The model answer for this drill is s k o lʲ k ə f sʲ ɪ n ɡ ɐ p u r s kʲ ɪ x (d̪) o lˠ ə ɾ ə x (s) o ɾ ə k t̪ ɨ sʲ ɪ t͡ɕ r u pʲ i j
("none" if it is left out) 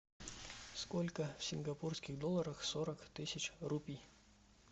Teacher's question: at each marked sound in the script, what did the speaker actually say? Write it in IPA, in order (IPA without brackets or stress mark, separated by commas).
d̪, s